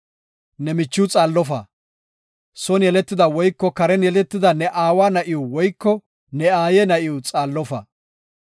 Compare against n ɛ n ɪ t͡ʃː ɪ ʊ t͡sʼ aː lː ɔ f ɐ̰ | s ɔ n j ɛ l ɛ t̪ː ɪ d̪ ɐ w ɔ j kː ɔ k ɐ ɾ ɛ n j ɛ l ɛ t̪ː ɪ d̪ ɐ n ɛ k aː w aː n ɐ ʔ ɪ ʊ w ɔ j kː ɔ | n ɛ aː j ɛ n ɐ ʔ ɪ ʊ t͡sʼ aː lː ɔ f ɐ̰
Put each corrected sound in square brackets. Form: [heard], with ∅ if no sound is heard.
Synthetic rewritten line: n ɛ [m] ɪ t͡ʃː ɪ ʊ t͡sʼ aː lː ɔ f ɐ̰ | s ɔ n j ɛ l ɛ t̪ː ɪ d̪ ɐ w ɔ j kː ɔ k ɐ ɾ ɛ n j ɛ l ɛ t̪ː ɪ d̪ ɐ n ɛ [ʔ] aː w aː n ɐ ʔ ɪ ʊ w ɔ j kː ɔ | n ɛ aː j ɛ n ɐ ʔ ɪ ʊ t͡sʼ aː lː ɔ f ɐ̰